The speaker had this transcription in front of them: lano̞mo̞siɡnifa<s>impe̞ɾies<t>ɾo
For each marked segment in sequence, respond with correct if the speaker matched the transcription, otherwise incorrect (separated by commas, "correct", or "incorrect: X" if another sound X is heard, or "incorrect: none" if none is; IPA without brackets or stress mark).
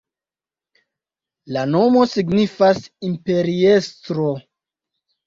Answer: correct, correct